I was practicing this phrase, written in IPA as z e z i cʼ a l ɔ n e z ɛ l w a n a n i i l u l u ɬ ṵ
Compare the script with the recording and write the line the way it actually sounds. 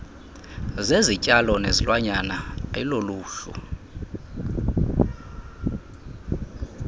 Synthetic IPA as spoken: z e z i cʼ a l ɔ n e z i l w a ɲ a n a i l o l uː ɬ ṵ